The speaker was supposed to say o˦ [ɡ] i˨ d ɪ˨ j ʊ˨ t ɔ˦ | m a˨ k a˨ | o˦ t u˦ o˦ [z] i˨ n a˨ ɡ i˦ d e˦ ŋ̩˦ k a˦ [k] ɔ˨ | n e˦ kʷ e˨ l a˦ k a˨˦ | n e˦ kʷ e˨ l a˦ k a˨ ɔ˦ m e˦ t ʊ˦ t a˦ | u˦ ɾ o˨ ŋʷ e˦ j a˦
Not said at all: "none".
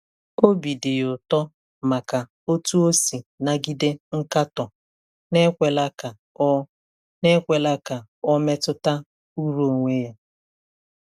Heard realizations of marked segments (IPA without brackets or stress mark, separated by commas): b, s, t